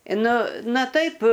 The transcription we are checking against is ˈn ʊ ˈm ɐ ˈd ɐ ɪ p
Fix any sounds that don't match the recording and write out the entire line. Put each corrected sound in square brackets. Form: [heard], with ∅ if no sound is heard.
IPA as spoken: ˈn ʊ [ˈn] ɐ [ˈt] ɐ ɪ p